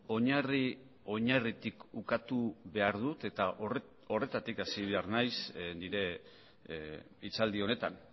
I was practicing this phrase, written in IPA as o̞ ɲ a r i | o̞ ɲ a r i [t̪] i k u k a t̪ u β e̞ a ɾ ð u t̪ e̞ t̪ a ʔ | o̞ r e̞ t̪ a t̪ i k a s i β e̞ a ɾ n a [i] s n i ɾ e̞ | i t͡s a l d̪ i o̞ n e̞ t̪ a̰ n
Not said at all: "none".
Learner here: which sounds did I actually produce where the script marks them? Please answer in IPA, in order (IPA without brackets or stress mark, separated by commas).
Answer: t̪, j